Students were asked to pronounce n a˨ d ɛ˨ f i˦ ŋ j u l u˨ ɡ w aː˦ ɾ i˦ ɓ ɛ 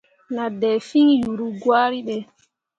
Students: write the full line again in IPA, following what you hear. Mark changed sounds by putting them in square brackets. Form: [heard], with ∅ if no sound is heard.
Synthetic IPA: n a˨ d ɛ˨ f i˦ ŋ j u [ɾ] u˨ ɡ w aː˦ ɾ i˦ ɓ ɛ